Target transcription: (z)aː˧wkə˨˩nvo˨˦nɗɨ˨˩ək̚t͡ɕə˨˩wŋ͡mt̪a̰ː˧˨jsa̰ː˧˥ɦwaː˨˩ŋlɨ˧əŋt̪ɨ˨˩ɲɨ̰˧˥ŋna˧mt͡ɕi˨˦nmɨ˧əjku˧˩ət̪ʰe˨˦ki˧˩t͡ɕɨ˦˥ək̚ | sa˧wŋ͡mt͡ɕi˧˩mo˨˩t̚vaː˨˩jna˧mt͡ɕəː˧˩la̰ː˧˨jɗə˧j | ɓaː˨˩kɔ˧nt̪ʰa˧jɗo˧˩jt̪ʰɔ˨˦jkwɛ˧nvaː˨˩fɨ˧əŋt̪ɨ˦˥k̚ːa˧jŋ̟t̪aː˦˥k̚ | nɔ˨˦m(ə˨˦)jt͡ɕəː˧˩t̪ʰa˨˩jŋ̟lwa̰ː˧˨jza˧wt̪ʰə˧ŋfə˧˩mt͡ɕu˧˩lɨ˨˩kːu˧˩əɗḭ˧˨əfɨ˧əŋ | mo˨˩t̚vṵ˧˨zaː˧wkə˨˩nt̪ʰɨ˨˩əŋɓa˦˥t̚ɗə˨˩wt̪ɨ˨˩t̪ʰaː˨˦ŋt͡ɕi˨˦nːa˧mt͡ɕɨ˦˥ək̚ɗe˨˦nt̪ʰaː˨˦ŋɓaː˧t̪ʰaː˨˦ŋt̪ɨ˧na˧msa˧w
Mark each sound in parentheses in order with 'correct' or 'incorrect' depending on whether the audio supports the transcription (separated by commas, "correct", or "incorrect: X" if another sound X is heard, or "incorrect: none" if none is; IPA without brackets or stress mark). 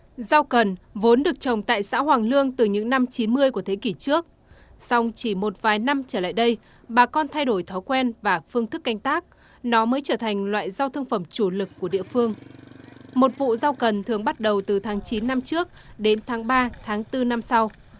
correct, incorrect: əː˨˦